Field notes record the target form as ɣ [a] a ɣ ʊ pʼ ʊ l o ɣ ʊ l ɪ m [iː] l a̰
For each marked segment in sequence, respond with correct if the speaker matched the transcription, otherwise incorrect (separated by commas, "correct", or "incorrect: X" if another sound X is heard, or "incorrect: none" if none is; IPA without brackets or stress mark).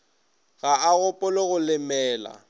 correct, incorrect: ɛː